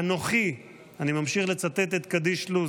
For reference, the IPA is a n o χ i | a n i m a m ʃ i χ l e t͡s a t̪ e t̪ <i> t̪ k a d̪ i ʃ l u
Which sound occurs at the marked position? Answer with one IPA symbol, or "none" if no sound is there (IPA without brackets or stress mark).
e